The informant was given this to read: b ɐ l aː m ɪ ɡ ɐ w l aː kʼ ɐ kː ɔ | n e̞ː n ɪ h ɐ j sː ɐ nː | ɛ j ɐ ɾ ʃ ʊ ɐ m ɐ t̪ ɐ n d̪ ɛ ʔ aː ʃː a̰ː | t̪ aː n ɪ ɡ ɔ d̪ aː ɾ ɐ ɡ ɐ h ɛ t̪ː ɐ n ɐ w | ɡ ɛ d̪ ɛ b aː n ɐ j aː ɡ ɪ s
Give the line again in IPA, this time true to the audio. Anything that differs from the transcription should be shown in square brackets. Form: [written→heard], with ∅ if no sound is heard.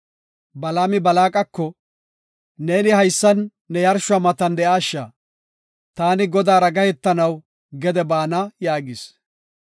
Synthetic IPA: b ɐ l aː m ɪ [ɡ→b] ɐ [w→∅] l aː kʼ ɐ kː ɔ | n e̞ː n ɪ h ɐ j sː ɐ nː | ɛ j ɐ ɾ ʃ ʊ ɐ m ɐ t̪ ɐ n d̪ ɛ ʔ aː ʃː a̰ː | t̪ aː n ɪ ɡ ɔ d̪ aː ɾ ɐ ɡ ɐ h ɛ t̪ː ɐ n ɐ w | ɡ ɛ d̪ ɛ b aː n ɐ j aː ɡ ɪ s